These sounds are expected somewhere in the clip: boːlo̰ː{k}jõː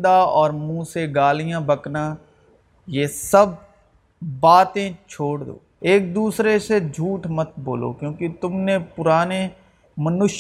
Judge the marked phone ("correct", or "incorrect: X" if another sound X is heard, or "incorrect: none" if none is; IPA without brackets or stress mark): correct